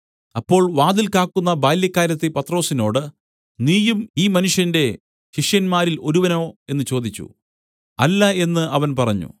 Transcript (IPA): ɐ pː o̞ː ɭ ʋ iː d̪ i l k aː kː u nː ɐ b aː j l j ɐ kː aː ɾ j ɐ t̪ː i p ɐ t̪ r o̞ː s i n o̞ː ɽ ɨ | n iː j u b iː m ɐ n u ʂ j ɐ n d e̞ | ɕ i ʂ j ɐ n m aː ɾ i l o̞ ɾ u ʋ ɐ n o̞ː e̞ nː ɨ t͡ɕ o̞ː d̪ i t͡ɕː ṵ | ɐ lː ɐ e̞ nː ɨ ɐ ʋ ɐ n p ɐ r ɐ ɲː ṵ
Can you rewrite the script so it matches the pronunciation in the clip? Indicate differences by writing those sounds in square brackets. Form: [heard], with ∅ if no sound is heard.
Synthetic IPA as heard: ɐ pː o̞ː ɭ ʋ [aː] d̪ i l k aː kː u nː ɐ b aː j l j ɐ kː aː ɾ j ɐ t̪ː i p ɐ t̪ r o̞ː s i n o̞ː ɽ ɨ | n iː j u [m] iː m ɐ n u ʂ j ɐ n d e̞ | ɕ i ʂ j ɐ n m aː ɾ i l o̞ ɾ u ʋ ɐ n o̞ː e̞ nː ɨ t͡ɕ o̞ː d̪ i t͡ɕː ṵ | ɐ lː ɐ e̞ nː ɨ ɐ ʋ ɐ n p ɐ r ɐ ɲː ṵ